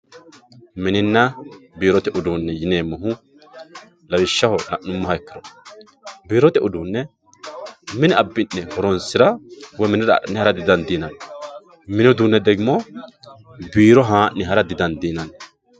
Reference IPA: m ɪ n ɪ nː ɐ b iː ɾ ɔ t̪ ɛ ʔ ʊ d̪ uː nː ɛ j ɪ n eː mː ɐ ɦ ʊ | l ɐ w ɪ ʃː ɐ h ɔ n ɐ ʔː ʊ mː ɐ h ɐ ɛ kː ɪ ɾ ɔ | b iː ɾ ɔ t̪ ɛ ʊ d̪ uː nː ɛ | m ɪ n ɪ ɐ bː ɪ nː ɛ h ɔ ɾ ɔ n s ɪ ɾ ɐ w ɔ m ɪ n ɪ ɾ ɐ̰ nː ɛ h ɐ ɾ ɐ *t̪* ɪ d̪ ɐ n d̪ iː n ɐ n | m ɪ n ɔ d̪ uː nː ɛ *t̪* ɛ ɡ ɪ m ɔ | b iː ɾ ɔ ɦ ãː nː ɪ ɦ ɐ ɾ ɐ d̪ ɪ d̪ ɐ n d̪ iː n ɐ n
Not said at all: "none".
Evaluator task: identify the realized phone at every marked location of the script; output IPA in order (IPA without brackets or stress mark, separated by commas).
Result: d̪, d̪